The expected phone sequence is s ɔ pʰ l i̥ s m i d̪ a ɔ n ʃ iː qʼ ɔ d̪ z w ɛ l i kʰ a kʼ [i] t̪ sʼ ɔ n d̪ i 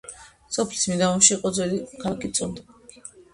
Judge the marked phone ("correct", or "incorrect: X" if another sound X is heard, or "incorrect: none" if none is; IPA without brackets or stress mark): correct